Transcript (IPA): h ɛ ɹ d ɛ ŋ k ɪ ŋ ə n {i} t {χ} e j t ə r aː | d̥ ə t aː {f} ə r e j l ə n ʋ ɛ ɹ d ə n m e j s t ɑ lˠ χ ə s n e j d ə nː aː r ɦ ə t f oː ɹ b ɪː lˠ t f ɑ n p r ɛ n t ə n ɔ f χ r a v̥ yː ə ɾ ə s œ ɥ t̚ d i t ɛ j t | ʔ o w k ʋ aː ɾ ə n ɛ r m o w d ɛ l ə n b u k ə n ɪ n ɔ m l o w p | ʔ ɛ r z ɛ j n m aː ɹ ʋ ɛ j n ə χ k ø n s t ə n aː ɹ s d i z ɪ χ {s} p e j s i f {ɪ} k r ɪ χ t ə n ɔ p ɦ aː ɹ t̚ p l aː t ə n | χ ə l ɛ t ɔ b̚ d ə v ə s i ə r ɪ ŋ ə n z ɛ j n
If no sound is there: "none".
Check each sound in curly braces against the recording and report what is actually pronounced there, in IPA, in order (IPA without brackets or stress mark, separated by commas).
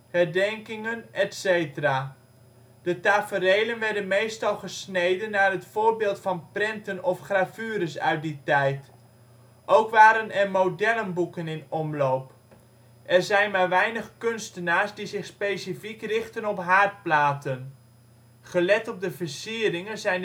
ɛ, s, f, s, i